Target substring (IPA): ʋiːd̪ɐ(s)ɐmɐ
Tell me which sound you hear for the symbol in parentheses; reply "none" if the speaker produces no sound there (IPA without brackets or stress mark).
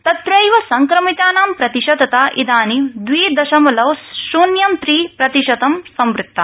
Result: ʃ